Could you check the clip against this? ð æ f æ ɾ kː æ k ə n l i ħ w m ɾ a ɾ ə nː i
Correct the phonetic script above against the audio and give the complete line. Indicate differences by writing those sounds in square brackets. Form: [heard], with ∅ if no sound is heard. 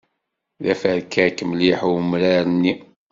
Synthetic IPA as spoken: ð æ f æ ɾ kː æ k ə [m] l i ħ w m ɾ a ɾ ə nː i